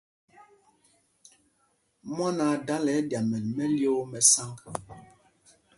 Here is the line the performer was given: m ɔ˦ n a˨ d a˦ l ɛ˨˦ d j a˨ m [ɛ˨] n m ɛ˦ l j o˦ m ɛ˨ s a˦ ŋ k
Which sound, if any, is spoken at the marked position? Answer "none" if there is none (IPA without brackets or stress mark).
ɛ˨